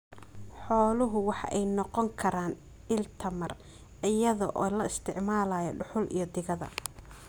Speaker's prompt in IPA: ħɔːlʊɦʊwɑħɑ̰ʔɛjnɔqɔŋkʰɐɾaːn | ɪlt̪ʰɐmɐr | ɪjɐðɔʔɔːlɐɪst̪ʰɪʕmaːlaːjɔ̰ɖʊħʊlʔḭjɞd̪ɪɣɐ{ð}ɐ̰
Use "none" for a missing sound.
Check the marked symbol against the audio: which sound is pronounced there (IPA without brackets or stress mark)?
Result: ð